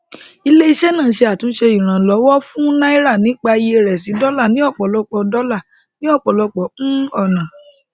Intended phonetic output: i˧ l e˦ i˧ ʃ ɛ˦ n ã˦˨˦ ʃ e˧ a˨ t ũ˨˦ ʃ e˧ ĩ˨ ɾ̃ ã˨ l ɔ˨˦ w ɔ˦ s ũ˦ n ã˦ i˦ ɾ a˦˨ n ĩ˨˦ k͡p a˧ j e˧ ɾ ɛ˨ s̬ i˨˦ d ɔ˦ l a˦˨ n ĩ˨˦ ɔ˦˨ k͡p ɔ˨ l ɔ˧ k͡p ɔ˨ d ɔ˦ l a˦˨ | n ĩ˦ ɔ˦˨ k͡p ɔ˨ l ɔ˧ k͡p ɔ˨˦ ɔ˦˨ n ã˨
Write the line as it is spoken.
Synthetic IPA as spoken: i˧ l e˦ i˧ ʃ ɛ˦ n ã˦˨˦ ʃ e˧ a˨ t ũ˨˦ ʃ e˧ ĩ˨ ɾ̃ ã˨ l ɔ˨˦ w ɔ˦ f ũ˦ n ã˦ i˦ ɾ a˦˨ n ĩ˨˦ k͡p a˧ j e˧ ɾ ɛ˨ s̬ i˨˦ d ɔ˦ l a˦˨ n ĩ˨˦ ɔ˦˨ k͡p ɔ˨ l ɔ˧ k͡p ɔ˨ d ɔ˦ l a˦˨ | n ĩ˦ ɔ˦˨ k͡p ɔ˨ l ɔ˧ k͡p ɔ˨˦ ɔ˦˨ n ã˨